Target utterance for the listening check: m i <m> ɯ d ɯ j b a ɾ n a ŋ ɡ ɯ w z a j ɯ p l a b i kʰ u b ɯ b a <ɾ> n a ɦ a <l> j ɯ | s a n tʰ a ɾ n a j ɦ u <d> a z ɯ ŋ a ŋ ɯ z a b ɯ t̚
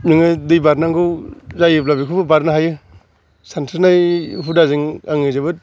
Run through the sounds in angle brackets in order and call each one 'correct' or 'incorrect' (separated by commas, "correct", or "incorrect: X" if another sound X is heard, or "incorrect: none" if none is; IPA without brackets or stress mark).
incorrect: ŋ, correct, incorrect: none, correct